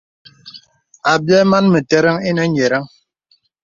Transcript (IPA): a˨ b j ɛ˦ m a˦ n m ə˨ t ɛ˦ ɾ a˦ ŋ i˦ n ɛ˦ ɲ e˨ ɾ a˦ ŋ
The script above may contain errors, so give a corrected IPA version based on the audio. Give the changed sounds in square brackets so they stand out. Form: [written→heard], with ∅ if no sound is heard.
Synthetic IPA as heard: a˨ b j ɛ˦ m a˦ n m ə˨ t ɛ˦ ɾ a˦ ŋ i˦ n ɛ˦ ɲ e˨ ɾ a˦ ŋ